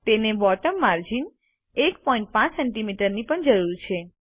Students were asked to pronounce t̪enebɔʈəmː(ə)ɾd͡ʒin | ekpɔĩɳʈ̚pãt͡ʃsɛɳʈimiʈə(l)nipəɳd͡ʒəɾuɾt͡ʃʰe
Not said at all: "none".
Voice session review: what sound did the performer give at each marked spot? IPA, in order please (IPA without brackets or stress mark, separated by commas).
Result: a, ɾ